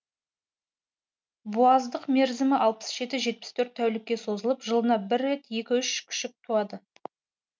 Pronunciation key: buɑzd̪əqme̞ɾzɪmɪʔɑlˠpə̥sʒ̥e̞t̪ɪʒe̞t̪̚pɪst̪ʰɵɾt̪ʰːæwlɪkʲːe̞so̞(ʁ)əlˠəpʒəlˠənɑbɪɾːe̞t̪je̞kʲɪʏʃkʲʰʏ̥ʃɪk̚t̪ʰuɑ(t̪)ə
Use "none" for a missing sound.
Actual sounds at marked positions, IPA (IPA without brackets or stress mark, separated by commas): z, d̪